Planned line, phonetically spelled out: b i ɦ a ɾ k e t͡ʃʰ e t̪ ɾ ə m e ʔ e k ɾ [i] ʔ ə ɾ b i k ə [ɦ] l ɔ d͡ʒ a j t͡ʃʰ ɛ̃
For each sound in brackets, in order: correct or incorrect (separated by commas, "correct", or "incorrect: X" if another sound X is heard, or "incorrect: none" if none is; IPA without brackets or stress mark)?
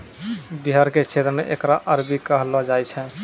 incorrect: a, correct